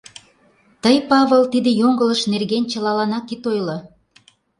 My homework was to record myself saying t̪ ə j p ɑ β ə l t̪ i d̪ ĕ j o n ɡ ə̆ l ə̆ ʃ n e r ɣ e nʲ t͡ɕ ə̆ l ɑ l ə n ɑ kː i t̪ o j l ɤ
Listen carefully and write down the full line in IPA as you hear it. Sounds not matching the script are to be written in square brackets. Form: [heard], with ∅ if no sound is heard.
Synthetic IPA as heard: t̪ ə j p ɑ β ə l t̪ i d̪ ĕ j o [ŋ] ɡ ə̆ l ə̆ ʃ n e r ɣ e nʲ t͡ɕ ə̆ l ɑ l [ɑ] n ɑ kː i t̪ o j l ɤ